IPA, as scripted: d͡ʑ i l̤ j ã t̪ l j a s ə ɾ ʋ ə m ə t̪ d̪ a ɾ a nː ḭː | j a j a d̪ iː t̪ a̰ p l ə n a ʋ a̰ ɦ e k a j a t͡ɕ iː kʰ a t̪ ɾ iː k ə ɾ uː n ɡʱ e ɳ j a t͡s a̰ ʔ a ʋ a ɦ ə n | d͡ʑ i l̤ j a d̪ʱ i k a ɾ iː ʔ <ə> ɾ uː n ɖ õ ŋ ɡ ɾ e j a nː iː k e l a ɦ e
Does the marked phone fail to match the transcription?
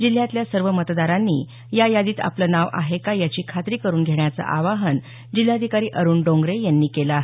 no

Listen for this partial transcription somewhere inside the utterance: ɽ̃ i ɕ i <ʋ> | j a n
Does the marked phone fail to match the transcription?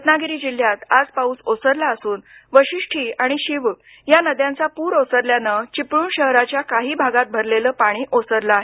no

